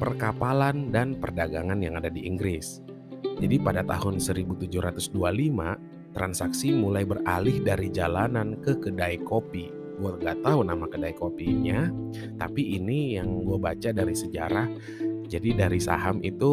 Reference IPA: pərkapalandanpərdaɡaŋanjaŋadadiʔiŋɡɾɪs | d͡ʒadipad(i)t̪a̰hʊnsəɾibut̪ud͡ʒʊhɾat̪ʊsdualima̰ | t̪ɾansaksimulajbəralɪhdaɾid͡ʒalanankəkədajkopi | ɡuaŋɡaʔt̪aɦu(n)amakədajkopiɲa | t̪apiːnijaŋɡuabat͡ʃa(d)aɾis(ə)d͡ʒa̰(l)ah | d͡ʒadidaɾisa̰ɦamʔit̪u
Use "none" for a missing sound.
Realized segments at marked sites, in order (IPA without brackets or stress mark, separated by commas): a, n, d, ə, ɾ